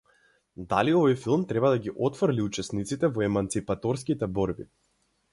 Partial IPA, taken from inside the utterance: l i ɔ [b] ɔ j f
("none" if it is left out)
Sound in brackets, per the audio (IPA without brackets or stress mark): v